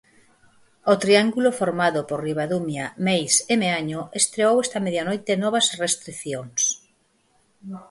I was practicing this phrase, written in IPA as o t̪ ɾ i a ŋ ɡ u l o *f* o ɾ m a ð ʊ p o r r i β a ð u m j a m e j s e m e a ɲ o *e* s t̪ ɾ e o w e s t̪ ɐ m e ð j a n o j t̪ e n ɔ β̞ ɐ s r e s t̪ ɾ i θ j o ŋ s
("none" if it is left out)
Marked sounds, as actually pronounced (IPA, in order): f, e

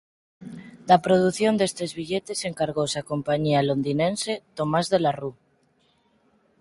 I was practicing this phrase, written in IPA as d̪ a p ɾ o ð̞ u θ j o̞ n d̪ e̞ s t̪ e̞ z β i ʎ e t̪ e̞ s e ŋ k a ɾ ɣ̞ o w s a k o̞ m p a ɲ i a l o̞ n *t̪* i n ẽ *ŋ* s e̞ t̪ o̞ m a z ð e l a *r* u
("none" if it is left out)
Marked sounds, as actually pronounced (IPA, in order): d̪, n, r

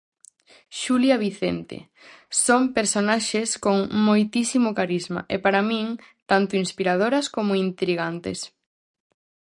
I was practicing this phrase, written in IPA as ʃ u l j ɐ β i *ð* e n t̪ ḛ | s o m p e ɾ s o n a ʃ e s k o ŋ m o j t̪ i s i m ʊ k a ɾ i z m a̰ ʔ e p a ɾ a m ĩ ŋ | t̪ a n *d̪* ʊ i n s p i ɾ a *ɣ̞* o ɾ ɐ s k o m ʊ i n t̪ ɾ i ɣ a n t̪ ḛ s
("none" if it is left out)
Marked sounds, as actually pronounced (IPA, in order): θ, t̪, ð̞

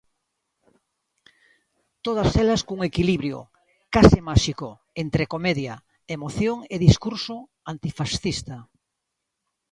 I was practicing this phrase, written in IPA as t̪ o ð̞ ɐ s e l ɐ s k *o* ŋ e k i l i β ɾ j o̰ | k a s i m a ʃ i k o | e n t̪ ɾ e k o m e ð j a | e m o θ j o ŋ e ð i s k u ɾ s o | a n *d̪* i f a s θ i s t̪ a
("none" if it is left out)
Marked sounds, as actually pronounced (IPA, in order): u, t̪

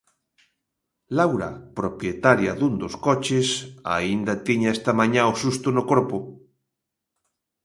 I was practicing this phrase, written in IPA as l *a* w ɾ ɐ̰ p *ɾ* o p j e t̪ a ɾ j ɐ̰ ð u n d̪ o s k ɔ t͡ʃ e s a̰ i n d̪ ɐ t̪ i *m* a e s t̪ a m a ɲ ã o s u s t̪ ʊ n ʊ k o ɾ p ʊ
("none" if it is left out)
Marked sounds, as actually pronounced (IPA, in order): a, ɾ, ɲ

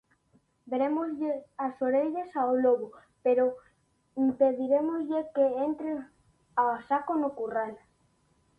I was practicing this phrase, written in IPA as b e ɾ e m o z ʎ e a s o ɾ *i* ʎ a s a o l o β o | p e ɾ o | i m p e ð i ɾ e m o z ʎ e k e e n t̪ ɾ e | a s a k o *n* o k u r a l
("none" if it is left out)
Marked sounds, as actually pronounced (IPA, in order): e, n

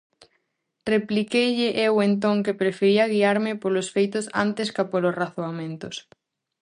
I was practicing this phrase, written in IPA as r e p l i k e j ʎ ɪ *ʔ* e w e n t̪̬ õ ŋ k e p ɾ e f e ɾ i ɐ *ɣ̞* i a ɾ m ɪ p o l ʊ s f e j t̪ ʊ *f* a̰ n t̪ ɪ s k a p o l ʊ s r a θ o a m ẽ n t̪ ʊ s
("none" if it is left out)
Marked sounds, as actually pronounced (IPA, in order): ʔ, ɣ̞, s

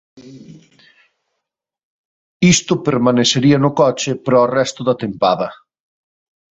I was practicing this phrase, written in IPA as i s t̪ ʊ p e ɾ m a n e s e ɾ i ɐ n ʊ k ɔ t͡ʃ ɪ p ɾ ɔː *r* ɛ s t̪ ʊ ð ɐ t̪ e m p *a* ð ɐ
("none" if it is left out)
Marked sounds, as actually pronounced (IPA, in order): r, a

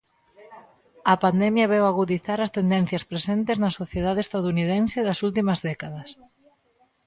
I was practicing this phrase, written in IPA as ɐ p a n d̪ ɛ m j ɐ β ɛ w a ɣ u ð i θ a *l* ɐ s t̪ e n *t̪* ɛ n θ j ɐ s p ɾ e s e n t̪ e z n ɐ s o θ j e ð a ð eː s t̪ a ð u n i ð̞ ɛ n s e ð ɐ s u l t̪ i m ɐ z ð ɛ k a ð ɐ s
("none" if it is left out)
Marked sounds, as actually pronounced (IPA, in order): ɾ, d̪

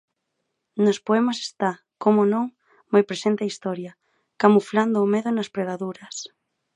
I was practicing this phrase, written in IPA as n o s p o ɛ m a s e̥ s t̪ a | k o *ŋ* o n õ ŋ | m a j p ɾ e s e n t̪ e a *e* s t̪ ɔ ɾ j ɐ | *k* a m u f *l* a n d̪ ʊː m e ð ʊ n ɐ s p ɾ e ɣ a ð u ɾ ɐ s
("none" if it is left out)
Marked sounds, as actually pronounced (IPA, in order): m, i, k, l

